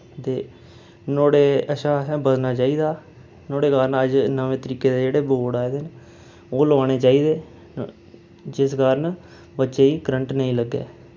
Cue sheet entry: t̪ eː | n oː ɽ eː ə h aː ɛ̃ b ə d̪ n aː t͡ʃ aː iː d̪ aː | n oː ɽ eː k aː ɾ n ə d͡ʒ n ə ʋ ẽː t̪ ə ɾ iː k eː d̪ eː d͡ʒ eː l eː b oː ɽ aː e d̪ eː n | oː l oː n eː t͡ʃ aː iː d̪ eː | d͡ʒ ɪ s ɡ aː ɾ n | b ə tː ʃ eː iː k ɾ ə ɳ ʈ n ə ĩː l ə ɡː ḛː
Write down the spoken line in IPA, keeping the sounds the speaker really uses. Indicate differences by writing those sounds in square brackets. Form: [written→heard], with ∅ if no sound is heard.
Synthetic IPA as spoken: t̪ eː | n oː ɽ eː ə [h→ʃ] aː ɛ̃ b ə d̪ n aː t͡ʃ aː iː d̪ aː | n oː ɽ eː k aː ɾ n ə d͡ʒ n ə ʋ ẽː t̪ ə ɾ iː k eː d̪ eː d͡ʒ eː [l→ɽ] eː b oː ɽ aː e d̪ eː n | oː l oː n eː t͡ʃ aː iː d̪ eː | d͡ʒ ɪ s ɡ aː ɾ n | b ə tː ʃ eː iː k ɾ ə ɳ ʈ n ə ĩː l ə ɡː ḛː